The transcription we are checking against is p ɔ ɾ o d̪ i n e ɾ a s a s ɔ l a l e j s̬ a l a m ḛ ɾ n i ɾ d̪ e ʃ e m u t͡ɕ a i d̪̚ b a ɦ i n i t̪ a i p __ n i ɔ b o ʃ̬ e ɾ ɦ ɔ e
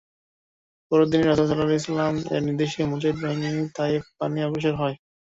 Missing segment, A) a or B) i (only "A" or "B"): A